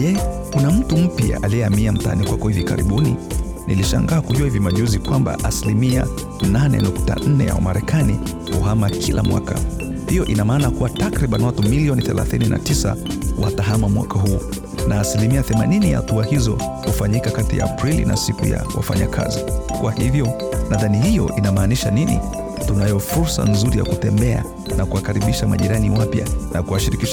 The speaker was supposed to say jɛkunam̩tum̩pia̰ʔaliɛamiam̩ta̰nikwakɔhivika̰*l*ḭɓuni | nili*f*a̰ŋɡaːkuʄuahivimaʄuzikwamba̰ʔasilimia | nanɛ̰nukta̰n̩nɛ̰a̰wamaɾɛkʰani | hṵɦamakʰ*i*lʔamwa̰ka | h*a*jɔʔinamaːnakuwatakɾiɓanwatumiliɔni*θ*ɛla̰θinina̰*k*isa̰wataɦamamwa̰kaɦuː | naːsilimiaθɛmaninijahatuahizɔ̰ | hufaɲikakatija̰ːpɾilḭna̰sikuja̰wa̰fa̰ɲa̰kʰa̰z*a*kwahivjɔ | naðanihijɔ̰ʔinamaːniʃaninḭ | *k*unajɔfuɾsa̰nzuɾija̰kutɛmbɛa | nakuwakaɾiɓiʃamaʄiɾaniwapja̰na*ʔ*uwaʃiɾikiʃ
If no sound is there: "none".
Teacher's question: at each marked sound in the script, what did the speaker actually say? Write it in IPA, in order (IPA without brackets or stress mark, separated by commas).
ɾ, ʃ, i, i, θ, t, i, t, k